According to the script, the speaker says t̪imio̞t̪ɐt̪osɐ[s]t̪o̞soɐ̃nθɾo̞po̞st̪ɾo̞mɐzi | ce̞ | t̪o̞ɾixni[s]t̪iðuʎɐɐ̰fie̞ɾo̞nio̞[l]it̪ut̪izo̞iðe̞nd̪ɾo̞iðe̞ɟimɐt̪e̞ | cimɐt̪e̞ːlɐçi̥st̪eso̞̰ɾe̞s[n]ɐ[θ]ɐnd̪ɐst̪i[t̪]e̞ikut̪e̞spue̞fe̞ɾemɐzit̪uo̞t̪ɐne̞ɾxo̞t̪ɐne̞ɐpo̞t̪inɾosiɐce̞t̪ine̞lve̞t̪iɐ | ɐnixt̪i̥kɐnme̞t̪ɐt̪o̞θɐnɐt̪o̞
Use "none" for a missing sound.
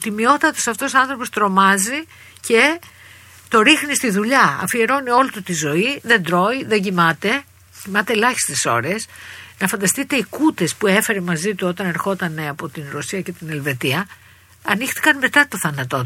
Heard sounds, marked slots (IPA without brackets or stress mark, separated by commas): f, s, l, n, f, t̪